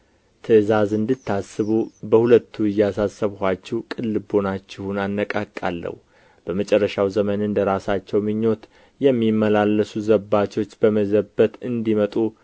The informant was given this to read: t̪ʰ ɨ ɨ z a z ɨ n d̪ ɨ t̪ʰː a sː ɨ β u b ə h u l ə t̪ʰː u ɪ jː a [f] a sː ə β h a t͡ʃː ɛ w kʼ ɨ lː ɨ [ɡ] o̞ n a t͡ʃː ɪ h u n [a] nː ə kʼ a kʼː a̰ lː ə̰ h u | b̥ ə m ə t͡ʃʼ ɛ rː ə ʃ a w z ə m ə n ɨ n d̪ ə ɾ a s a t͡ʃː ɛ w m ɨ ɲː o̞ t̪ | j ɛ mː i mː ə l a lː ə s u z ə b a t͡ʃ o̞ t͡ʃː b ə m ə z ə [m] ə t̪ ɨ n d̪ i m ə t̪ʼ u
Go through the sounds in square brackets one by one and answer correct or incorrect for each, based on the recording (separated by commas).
incorrect, incorrect, correct, incorrect